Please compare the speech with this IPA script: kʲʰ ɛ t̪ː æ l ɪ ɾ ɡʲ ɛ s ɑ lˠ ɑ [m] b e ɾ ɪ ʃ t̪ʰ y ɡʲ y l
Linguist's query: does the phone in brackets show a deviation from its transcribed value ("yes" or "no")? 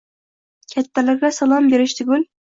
no